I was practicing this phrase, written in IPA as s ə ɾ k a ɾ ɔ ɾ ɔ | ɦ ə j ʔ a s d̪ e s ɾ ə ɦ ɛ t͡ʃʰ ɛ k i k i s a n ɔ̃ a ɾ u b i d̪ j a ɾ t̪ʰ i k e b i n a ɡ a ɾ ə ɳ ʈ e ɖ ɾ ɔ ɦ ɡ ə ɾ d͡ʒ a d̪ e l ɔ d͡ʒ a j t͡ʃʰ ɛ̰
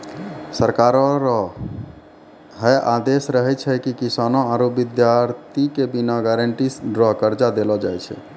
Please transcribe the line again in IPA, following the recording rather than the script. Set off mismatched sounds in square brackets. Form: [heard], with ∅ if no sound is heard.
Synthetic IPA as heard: s ə ɾ k a ɾ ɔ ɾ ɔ | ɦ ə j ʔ a [∅] d̪ e s ɾ ə ɦ ɛ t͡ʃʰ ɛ k i k i s a n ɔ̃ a ɾ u b i d̪ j a ɾ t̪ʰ i k e b i n a ɡ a ɾ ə ɳ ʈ [i] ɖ ɾ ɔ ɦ [k] ə ɾ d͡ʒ a d̪ e l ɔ d͡ʒ a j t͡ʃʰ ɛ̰